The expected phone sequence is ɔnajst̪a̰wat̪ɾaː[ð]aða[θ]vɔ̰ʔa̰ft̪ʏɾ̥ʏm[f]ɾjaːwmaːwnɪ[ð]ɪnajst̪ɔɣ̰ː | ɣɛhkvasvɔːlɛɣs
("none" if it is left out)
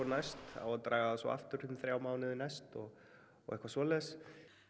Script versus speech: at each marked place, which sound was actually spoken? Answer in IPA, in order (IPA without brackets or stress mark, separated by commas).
ɣ, s, θ, ð